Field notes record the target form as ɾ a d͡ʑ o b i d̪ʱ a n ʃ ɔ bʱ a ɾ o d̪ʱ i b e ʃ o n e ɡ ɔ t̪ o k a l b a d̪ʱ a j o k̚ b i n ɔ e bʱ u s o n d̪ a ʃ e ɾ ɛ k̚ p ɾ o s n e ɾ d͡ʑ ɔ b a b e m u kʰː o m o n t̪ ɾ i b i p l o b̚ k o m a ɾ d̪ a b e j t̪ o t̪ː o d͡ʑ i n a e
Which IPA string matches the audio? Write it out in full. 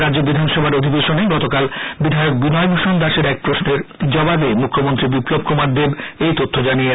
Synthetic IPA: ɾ a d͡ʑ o b i d̪ʱ a n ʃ ɔ bʱ a ɾ o d̪ʱ i b e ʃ o n e ɡ ɔ t̪ o k a l b i d̪ʱ a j o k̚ b i n ɔ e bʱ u ʃ o n d̪ a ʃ e ɾ ɛ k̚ p ɾ o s n e ɾ d͡ʑ ɔ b a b e m u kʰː o m o n t̪ ɾ i b i p l o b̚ k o m a ɾ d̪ e b e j t̪ o t̪ʰː o d͡ʑ a n i e